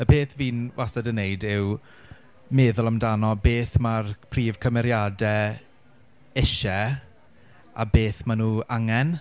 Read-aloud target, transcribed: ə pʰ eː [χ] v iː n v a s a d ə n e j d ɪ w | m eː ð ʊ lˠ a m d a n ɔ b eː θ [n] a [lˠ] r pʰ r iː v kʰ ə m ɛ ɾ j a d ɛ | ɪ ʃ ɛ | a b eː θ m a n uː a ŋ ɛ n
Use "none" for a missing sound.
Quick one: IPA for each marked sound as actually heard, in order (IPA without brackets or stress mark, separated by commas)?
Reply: θ, m, none